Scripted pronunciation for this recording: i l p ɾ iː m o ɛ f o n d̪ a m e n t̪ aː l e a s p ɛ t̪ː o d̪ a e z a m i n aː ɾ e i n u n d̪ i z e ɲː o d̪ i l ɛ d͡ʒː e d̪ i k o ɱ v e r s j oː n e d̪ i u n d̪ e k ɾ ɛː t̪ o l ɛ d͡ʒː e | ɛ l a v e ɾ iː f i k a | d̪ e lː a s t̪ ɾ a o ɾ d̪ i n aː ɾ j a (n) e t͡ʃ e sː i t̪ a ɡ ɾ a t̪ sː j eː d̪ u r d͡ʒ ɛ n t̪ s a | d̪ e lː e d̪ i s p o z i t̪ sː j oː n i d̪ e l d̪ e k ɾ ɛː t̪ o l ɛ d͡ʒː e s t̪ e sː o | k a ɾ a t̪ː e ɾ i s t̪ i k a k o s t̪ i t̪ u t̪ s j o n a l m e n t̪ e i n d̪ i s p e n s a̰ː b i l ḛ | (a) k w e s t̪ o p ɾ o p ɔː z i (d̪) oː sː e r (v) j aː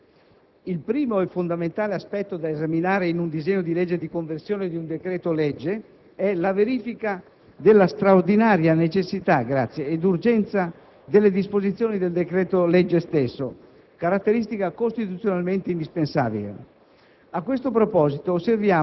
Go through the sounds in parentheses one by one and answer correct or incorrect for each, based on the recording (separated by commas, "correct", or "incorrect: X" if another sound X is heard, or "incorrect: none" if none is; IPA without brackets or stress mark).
correct, correct, incorrect: t̪, correct